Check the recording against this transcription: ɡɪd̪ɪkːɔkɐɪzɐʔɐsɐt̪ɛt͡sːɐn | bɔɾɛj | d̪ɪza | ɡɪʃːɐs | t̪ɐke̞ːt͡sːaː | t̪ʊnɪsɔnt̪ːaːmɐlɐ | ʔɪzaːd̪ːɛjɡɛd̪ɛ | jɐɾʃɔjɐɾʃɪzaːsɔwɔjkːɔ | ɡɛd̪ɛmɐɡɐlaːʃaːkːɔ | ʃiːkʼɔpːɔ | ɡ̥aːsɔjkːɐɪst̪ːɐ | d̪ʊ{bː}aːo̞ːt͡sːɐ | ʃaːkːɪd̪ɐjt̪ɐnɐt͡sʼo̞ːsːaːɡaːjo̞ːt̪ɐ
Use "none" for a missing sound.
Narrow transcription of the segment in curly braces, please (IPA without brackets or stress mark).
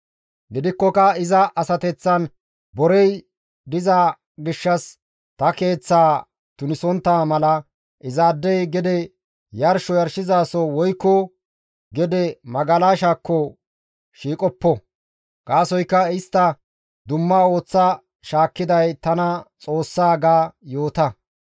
mː